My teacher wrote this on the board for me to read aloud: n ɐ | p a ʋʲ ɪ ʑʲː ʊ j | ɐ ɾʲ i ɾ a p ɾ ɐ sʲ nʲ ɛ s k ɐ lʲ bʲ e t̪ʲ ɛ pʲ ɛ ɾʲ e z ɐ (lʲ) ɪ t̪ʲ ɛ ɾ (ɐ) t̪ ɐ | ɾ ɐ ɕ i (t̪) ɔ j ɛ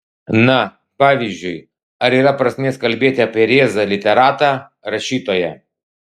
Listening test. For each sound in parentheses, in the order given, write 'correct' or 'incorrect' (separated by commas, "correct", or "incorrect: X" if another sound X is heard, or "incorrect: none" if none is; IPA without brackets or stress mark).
correct, incorrect: a, correct